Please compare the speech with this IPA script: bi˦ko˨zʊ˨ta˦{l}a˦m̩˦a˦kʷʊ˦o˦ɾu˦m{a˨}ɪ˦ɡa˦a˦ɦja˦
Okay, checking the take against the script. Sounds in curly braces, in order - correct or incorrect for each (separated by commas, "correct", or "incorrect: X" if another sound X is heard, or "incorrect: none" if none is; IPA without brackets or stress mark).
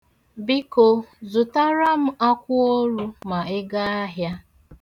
incorrect: ɾ, correct